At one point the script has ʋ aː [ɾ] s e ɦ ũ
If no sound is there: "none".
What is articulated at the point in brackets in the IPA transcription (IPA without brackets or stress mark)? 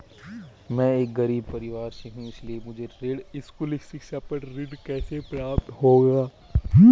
ɾ